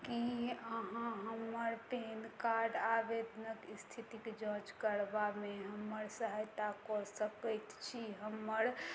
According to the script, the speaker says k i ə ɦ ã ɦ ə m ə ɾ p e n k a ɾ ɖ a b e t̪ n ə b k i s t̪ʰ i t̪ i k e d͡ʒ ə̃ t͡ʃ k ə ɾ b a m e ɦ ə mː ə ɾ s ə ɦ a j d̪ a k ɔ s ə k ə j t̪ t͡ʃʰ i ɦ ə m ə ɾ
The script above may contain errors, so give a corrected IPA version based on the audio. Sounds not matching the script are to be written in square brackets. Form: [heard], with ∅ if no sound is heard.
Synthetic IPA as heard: k i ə ɦ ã ɦ ə m ə ɾ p e n k a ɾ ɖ a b e [d̪] n ə [∅] k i s t̪ʰ i t̪ i k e d͡ʒ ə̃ t͡ʃ k ə ɾ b a m e ɦ ə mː ə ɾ s ə ɦ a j [t̪] a k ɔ s ə k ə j t̪ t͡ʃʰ i ɦ ə m ə ɾ